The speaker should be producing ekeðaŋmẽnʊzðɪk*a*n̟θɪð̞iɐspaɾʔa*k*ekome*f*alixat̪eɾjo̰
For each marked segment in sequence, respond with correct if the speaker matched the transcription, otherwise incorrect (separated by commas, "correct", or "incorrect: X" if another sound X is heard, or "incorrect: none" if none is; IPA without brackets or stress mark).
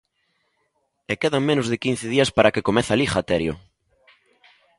incorrect: i, correct, incorrect: θ